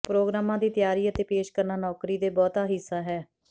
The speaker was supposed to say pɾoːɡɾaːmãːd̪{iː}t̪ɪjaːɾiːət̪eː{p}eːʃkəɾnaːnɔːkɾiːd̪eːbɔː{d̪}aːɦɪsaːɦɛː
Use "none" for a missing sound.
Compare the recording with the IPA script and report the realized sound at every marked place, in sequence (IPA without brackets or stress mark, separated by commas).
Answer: iː, p, t̪